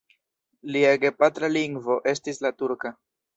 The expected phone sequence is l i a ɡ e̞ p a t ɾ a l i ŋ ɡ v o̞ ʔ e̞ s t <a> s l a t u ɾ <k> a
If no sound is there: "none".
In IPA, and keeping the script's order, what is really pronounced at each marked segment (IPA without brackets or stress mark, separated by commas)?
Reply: i, k